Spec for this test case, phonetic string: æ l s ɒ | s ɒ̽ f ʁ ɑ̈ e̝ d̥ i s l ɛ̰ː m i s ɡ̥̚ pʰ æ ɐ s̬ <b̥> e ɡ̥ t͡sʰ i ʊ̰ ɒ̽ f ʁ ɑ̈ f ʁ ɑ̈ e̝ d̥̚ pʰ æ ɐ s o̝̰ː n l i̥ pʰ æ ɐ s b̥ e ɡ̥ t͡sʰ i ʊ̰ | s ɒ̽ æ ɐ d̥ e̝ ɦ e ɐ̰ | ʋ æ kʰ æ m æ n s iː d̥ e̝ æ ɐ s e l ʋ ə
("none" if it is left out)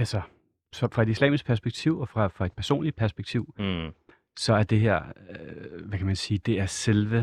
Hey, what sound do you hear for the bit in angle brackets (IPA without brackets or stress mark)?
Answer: b̥